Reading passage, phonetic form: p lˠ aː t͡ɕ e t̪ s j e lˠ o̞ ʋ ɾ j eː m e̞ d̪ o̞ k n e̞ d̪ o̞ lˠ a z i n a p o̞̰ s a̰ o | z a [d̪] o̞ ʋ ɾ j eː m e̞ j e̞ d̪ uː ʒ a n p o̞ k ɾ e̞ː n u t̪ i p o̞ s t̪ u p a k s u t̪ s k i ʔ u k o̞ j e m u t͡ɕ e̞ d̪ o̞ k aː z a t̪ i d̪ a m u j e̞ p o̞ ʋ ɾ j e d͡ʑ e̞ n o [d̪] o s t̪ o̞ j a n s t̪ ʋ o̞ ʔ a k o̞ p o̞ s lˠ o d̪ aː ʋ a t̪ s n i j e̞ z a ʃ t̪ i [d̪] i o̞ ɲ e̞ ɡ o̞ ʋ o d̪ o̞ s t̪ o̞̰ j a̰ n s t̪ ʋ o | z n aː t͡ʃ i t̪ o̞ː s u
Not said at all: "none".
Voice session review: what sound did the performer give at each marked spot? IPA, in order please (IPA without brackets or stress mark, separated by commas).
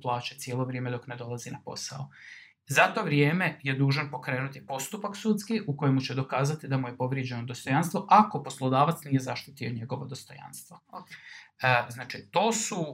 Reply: t̪, d̪, t̪